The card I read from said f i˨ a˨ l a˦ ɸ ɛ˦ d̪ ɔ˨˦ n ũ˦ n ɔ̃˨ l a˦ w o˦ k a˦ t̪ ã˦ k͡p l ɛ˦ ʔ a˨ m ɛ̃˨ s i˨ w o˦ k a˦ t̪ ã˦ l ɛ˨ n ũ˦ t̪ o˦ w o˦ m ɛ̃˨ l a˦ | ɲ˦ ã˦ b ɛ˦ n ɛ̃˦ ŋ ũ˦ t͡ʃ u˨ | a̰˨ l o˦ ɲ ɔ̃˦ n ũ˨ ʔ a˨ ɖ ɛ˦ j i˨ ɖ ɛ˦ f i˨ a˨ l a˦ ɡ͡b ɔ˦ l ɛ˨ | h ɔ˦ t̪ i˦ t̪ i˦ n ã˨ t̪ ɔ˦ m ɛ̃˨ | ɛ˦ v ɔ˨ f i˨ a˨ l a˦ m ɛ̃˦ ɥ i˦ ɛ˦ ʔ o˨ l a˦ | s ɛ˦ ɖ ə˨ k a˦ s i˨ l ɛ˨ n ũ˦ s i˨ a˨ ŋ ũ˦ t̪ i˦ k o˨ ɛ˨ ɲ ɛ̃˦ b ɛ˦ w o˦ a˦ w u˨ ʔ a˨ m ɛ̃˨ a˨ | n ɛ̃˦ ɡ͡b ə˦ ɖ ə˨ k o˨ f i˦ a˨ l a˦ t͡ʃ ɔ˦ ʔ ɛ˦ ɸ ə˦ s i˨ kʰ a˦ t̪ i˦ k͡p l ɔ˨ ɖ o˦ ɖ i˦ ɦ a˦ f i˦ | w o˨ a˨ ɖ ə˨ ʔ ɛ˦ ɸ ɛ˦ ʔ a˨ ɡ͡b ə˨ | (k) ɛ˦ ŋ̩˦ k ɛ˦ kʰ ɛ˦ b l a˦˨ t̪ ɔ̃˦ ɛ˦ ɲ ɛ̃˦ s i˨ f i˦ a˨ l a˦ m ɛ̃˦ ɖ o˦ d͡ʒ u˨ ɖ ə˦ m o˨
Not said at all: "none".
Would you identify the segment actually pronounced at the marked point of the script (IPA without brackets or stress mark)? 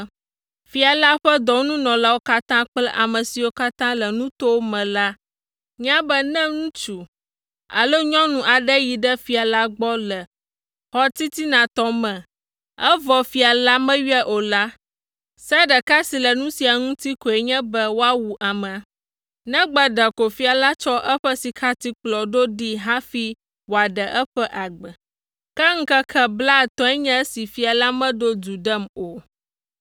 k